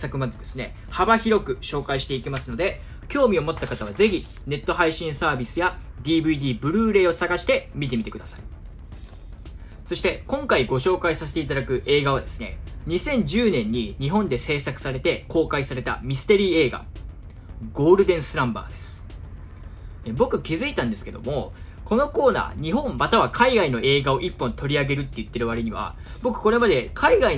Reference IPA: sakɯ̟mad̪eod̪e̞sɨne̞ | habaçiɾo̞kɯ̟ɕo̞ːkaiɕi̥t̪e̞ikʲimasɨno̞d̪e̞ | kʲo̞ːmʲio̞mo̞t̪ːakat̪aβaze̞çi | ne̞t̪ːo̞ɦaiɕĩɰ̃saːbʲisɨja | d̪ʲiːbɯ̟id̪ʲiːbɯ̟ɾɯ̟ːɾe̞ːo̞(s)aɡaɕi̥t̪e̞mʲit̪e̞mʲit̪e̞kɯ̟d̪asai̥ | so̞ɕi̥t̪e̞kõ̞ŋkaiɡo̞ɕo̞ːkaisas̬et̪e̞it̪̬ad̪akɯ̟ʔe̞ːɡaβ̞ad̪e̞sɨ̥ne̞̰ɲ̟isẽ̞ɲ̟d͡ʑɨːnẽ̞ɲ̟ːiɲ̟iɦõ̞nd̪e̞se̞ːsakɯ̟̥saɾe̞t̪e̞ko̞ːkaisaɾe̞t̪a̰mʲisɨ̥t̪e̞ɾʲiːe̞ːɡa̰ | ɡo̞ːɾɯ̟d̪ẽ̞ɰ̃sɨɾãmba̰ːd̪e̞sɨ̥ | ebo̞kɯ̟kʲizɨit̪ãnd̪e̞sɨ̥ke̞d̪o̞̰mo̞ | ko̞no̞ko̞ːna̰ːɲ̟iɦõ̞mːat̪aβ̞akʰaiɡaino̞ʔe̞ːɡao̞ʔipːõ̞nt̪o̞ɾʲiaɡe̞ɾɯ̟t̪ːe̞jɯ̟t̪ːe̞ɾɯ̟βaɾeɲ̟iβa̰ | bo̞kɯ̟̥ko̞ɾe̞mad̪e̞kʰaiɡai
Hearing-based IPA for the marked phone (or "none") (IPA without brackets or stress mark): s